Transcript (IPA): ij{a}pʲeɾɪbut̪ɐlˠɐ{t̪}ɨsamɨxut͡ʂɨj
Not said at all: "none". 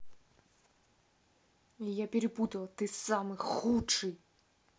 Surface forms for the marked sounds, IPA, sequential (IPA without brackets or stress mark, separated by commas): a, t̪